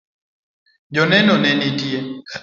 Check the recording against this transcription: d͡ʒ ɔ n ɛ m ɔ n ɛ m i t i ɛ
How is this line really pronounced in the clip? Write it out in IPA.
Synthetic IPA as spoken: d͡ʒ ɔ n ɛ n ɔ n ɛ n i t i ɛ